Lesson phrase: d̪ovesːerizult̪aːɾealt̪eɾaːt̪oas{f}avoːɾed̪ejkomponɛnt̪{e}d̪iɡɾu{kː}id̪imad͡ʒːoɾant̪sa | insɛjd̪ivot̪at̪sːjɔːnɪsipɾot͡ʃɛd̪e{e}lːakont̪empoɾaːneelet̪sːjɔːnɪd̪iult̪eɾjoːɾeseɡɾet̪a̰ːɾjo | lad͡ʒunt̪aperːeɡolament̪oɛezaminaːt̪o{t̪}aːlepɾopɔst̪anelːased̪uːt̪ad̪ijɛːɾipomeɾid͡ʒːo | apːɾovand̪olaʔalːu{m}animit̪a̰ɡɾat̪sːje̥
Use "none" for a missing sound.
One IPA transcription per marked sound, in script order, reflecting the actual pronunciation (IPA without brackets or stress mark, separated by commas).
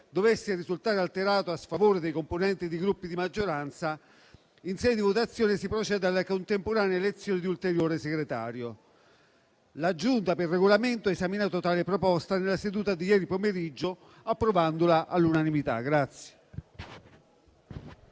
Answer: f, i, pː, a, t̪, n